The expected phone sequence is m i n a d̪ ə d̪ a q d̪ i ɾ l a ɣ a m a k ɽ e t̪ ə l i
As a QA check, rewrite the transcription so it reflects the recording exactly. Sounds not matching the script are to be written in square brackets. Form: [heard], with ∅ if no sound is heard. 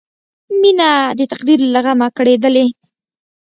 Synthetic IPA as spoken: m i n a d̪ ə [t̪] a q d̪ i ɾ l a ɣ a m a k ɽ e [d̪] ə l [e]